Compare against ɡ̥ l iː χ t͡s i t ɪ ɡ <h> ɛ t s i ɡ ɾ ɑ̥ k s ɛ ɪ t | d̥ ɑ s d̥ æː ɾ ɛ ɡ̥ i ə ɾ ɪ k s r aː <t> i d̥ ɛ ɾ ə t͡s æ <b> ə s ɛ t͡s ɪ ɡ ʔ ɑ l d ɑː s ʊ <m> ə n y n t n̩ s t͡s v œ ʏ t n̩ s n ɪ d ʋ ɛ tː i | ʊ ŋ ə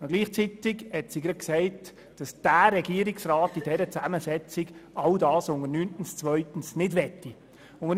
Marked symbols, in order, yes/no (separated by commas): yes, yes, no, no